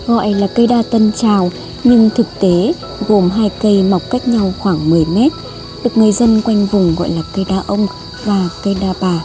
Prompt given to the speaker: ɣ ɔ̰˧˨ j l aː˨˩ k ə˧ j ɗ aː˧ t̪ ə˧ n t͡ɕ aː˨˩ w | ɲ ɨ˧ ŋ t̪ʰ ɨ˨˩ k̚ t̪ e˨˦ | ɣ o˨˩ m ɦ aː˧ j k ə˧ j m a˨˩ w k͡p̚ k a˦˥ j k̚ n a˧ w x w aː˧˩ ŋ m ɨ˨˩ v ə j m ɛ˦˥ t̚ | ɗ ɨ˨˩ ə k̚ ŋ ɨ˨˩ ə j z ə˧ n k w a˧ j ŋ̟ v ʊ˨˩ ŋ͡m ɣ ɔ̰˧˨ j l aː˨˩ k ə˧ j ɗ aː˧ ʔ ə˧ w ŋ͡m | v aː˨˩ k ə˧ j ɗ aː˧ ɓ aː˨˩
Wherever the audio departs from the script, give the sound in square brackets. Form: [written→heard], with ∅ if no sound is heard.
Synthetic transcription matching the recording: ɣ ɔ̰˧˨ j l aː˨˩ k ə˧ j ɗ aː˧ t̪ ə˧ n t͡ɕ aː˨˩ w | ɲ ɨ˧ ŋ t̪ʰ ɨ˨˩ k̚ t̪ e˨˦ | ɣ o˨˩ m ɦ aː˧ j k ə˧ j m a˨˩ w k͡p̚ k a˦˥ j k̚ [n→ɲ] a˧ w x w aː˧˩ ŋ m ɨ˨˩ [v→∅] ə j m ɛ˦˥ t̚ | ɗ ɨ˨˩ ə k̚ ŋ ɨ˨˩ ə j z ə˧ n k w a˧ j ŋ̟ v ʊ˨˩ ŋ͡m ɣ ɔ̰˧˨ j l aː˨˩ k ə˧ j ɗ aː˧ ʔ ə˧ w ŋ͡m | v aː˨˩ k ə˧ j ɗ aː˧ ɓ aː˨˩

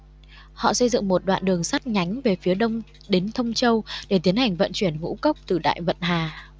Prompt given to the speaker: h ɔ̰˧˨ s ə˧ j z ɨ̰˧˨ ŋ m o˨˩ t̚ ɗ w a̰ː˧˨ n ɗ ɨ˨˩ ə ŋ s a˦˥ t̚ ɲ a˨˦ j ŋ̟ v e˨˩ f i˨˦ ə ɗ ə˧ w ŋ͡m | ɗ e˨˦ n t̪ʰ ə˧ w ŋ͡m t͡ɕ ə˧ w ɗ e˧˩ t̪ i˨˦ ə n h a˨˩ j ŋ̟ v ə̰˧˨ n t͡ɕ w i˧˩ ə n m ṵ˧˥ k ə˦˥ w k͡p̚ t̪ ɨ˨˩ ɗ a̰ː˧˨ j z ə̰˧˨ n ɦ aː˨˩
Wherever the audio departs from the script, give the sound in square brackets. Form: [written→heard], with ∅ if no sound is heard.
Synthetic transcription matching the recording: h ɔ̰˧˨ s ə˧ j z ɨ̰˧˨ ŋ m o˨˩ t̚ ɗ w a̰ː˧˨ n ɗ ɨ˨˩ ə ŋ s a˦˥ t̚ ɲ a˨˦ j ŋ̟ v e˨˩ f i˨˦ ə ɗ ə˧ w ŋ͡m | ɗ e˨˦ n t̪ʰ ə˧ w ŋ͡m t͡ɕ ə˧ w ɗ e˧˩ t̪ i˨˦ ə n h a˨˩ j ŋ̟ v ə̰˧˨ n t͡ɕ w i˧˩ ə n [m→ŋ] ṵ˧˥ k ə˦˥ w k͡p̚ t̪ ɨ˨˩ ɗ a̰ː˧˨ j [z→v] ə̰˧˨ n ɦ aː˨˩

